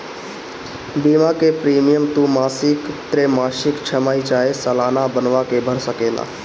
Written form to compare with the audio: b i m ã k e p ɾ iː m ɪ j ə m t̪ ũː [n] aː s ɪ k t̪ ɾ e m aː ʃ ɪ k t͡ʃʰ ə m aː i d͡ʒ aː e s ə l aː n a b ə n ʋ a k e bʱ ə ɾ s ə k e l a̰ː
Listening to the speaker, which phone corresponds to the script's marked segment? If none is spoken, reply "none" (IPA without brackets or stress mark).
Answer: m